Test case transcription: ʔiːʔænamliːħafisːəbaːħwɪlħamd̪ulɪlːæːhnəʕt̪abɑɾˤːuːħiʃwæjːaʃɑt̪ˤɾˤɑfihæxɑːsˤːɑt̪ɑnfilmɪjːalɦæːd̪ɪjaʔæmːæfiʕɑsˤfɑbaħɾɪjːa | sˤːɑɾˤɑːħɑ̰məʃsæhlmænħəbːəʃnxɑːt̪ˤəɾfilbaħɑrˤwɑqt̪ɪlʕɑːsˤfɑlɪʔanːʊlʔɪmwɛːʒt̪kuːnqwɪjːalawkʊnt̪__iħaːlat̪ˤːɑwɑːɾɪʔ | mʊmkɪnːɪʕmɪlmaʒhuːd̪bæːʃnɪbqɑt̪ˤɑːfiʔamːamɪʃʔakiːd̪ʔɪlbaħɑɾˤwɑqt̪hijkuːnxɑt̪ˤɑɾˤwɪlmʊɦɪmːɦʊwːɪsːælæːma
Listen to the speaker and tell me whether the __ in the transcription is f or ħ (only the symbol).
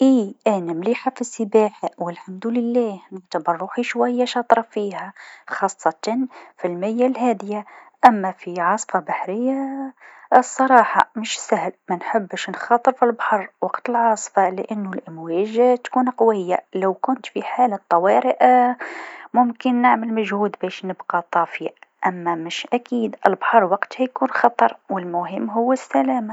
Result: f